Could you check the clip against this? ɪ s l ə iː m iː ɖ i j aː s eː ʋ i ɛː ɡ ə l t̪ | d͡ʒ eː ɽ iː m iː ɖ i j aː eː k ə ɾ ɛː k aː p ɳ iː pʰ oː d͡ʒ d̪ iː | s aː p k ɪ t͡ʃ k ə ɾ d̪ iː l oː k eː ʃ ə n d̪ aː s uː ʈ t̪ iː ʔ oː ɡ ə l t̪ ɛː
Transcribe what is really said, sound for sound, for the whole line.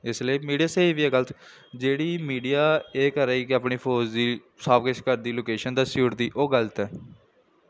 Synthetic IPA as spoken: ɪ s l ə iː m iː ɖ i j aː s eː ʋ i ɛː ɡ ə l t̪ | d͡ʒ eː ɽ iː m iː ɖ i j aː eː k ə ɾ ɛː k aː p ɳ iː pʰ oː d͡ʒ d̪ iː | s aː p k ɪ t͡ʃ k ə ɾ d̪ iː l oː k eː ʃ ə n d̪ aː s uː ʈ d̪ iː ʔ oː ɡ ə l t̪ ɛː